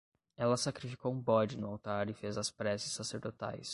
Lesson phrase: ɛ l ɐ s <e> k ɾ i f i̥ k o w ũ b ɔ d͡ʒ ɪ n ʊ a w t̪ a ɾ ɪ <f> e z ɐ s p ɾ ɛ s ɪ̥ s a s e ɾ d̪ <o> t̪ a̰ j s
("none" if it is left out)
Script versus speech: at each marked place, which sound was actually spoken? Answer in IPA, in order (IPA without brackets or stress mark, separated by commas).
a, f, o